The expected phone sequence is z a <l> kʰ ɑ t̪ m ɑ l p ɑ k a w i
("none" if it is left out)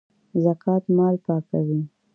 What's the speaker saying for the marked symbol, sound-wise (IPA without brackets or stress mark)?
none